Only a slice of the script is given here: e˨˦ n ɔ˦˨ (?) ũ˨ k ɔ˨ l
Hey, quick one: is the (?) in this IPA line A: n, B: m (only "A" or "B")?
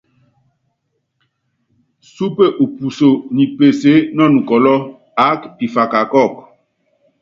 A